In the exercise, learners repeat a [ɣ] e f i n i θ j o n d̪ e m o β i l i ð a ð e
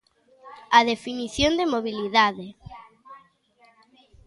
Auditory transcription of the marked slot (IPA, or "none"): ð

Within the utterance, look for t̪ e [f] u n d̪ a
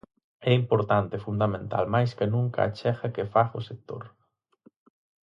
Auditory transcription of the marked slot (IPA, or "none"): f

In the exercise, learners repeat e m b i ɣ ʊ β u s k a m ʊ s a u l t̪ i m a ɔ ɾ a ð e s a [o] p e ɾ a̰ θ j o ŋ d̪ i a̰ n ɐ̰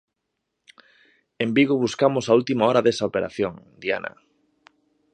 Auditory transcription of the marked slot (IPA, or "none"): o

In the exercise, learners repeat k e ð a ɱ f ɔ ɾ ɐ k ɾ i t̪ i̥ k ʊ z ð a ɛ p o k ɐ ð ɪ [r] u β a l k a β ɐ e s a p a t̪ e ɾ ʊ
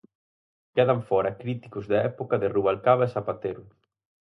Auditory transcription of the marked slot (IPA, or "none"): r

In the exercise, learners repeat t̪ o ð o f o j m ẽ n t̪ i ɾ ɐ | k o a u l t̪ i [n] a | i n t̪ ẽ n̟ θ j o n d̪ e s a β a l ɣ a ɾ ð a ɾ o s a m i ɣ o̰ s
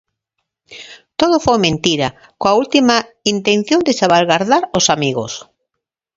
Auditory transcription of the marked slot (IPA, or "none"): m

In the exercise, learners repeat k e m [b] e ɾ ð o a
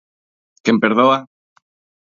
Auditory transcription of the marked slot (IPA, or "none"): p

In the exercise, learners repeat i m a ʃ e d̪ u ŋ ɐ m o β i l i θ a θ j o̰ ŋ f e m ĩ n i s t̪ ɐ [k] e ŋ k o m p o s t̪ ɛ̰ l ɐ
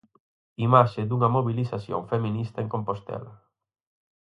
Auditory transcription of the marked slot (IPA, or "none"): none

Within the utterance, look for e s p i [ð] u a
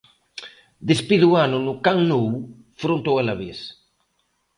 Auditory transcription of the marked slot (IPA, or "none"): ð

